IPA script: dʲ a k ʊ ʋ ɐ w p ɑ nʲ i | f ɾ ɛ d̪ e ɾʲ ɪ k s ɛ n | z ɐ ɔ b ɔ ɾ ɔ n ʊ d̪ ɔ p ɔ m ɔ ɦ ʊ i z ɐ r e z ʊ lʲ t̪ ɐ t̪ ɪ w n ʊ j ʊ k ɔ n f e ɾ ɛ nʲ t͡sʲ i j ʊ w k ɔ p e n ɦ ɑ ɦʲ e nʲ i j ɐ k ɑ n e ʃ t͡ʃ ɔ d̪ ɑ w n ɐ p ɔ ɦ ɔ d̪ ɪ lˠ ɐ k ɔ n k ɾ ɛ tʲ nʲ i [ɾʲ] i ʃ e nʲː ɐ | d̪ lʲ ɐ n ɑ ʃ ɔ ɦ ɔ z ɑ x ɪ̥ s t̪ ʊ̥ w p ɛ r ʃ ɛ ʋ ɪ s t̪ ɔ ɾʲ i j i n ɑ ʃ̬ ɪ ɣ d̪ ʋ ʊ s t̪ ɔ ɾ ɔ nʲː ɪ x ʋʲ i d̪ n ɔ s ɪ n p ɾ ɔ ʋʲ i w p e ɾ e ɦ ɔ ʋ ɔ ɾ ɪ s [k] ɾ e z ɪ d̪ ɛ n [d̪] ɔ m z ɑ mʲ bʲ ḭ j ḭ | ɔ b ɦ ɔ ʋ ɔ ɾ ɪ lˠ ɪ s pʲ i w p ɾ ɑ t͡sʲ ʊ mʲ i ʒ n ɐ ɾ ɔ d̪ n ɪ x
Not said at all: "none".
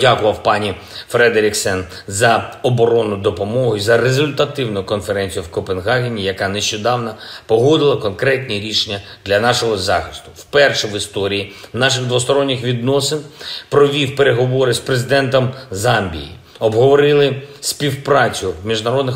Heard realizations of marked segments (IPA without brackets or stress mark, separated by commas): ɾʲ, p, t̪